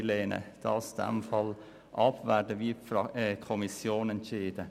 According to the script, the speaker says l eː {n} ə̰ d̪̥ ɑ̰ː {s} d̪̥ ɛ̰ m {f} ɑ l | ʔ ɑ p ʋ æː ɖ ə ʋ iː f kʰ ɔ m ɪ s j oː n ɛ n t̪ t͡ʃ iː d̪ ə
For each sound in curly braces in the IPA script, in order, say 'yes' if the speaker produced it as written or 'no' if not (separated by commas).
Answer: yes, yes, yes